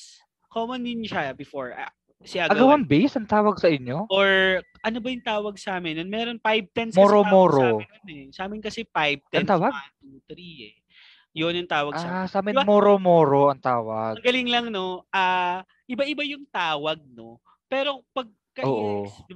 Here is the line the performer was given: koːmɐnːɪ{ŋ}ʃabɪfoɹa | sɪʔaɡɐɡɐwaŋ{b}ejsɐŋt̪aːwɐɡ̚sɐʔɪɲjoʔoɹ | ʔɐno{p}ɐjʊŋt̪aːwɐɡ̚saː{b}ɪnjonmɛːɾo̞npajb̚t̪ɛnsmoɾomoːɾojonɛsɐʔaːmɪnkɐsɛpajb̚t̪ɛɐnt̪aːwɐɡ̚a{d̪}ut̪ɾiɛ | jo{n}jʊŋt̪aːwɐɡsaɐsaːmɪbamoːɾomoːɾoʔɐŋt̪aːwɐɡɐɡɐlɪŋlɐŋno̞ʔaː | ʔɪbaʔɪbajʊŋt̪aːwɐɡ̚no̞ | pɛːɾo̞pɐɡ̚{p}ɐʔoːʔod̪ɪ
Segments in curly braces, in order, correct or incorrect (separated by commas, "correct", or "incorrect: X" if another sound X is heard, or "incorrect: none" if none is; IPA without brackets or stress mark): incorrect: n, correct, incorrect: b, incorrect: m, incorrect: t̪, correct, incorrect: k